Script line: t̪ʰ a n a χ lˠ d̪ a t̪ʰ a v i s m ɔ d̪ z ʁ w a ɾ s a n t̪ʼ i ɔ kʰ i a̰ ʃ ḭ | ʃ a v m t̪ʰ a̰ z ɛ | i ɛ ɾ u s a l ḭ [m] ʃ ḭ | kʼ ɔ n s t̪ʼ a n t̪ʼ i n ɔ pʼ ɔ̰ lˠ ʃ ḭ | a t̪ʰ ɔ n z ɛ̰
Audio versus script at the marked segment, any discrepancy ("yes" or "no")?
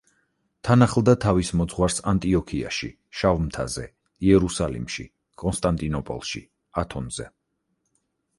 no